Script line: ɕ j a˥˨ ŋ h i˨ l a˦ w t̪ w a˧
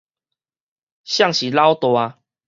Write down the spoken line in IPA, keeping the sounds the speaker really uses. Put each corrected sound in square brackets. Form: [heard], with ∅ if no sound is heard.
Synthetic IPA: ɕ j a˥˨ ŋ [ɕ] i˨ l a˦ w t̪ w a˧

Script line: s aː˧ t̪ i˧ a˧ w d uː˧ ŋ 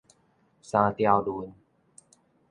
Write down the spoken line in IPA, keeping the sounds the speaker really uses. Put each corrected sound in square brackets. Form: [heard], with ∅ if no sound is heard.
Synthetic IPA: s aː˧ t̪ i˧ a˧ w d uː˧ [n]

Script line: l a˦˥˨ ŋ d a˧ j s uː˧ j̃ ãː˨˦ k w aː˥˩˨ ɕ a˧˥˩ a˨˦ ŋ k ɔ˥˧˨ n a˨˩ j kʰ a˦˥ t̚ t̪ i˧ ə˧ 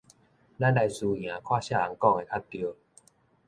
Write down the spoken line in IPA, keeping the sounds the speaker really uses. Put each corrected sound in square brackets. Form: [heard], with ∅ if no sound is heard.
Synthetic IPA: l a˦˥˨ [n] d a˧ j s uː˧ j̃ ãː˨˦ [kʰ] w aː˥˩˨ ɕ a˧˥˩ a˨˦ ŋ k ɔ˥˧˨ [ŋ] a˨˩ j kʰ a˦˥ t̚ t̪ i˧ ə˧

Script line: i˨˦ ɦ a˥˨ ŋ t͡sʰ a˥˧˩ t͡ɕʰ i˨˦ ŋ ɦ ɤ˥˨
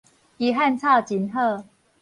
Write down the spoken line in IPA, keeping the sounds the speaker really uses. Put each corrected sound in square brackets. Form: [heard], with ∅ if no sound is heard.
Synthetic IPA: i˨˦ ɦ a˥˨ [n] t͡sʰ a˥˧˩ [t͡ɕ] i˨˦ [n] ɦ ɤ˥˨

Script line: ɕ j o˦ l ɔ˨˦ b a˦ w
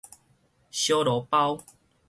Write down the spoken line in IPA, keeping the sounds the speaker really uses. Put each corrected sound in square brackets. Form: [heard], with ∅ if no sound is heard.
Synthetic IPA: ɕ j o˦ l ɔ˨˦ [p] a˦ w

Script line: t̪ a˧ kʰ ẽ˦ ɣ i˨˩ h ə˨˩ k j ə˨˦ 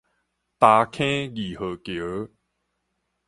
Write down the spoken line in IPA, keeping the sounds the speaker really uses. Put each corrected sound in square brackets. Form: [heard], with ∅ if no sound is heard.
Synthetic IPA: t̪ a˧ kʰ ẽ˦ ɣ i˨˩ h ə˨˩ k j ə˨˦

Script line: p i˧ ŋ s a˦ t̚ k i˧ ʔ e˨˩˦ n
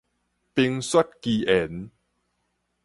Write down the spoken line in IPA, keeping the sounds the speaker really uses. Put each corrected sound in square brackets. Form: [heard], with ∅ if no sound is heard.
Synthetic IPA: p i˧ ŋ s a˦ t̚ k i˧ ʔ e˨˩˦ n

